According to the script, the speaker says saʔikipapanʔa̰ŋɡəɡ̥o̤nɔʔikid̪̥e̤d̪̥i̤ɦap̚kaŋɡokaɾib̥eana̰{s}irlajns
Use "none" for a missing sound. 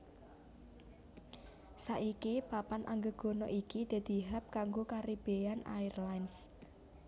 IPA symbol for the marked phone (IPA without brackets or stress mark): none